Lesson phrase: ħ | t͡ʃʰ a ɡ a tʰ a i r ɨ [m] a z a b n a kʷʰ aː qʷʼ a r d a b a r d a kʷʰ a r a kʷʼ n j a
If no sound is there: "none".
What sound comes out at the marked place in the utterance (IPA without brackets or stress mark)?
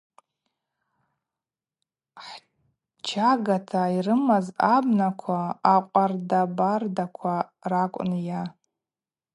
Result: m